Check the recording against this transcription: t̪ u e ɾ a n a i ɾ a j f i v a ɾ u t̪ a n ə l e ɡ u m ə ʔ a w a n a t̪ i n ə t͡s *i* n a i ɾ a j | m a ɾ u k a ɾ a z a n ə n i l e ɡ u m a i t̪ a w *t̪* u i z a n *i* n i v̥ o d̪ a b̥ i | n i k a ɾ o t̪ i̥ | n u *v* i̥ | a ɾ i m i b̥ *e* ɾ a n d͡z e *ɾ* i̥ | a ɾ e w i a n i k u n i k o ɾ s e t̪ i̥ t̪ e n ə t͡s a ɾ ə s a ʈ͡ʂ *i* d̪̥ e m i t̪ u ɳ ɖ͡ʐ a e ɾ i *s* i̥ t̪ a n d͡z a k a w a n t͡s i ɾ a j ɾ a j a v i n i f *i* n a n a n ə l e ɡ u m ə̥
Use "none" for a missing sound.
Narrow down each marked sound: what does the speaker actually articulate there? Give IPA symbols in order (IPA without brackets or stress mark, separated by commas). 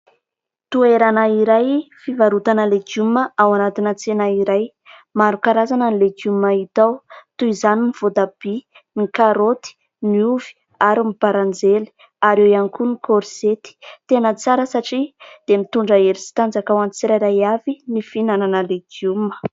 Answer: e, t̪, i, v, a, l, i, s, i